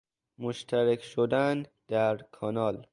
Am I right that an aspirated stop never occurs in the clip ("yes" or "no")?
no